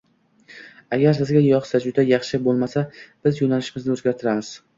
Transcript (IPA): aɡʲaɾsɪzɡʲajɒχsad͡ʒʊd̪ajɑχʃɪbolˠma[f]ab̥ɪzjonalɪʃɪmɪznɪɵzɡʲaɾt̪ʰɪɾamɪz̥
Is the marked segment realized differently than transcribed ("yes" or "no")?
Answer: yes